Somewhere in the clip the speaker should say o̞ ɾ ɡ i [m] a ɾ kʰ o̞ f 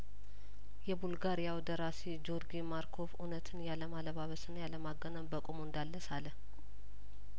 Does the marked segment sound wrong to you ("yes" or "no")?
no